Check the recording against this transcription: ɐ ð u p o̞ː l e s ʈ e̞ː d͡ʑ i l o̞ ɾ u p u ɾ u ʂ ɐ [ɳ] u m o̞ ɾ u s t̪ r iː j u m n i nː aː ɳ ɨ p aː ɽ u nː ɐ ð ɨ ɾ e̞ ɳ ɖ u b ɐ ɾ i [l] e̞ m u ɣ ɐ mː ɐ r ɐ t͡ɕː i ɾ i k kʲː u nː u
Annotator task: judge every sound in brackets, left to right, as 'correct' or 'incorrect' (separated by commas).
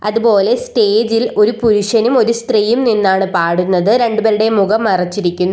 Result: incorrect, incorrect